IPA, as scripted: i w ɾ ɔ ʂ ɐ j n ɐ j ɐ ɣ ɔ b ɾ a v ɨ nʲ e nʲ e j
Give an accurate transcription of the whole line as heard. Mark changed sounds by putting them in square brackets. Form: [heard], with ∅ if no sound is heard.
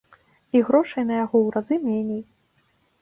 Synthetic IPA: i [ɣ] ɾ ɔ ʂ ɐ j n ɐ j [a] ɣ ɔ [w] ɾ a [z] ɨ [mʲ] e nʲ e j